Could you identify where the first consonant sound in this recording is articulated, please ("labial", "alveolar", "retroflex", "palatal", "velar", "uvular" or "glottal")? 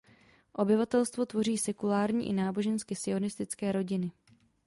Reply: glottal